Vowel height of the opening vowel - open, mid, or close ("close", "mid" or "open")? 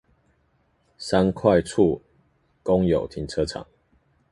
open